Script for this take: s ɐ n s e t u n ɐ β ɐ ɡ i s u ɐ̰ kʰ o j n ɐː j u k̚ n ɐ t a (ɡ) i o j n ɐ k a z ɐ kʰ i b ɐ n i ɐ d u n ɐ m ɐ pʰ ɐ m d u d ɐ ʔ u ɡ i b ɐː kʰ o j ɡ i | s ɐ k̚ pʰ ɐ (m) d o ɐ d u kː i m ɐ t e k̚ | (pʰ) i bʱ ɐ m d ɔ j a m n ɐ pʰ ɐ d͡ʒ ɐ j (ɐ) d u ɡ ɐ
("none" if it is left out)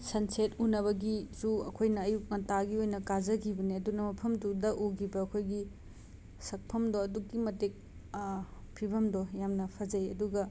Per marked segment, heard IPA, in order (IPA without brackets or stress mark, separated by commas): ɡ, m, pʰ, ɐ